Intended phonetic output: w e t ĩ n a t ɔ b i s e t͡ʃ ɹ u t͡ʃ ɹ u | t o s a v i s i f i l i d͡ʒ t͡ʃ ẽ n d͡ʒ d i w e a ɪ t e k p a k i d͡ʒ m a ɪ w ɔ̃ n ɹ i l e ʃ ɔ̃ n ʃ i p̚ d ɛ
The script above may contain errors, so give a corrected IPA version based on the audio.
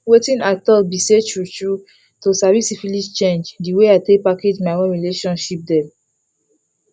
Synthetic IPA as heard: w e t ĩ n a t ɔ b i s e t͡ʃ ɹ u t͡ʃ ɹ u | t o s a v i s i f i l i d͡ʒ t͡ʃ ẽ n d͡ʒ d i w e a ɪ t e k p a k e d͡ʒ m a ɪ w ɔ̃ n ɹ i l e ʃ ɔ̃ n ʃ i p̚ d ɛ